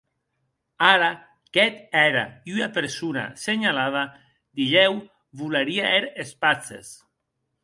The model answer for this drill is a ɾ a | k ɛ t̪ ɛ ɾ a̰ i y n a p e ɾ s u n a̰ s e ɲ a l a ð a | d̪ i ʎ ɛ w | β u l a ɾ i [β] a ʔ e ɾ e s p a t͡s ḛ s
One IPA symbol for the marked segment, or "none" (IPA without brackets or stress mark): none